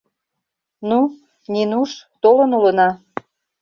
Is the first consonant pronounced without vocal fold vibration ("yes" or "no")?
no